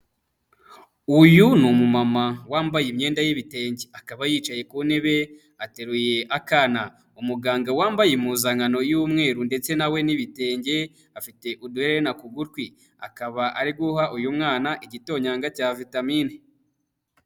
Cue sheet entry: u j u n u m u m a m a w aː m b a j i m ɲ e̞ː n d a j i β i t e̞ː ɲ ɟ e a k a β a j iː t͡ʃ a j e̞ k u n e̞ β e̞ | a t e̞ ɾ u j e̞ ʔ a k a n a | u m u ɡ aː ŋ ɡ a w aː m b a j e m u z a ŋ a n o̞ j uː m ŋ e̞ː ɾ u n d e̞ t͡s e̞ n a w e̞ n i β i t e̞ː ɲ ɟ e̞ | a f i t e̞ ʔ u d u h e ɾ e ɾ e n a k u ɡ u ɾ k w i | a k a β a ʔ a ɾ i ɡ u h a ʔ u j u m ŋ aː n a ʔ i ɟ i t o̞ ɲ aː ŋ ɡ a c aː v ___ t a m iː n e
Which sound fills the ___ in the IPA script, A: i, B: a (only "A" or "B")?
A